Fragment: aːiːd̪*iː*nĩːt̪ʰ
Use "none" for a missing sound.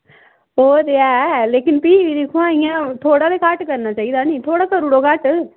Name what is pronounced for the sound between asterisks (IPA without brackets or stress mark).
aː